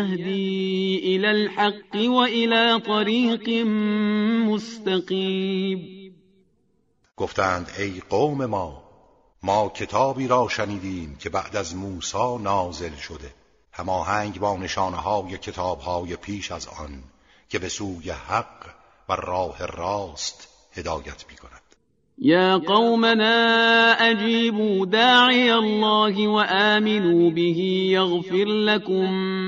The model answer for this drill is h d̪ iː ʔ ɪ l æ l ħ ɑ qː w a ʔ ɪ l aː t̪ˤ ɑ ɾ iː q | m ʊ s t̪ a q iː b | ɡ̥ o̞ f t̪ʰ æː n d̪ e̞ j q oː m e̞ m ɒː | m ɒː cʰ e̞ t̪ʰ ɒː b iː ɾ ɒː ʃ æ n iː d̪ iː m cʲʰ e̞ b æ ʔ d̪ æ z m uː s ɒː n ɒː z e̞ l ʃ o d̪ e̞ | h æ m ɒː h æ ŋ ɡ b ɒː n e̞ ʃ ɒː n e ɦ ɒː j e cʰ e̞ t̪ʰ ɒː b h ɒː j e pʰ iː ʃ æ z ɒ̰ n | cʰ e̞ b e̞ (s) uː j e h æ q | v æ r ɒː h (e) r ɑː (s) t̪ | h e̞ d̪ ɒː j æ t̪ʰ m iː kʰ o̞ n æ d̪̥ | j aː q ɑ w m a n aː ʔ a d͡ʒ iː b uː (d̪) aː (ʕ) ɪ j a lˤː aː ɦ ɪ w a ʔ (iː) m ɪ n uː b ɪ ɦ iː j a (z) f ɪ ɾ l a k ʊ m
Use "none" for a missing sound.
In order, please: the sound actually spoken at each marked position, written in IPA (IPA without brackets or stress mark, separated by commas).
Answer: s, e, s, d̪, ʕ, aː, ɣ